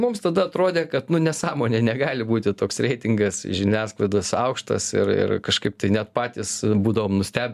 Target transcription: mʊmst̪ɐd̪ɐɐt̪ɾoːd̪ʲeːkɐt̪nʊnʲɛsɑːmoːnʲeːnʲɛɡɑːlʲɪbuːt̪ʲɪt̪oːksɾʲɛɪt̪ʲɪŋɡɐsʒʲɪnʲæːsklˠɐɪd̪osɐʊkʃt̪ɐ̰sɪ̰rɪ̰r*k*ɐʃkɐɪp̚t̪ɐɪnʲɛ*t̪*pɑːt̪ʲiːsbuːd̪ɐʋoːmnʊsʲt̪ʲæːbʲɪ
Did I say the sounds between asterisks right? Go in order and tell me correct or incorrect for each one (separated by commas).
correct, correct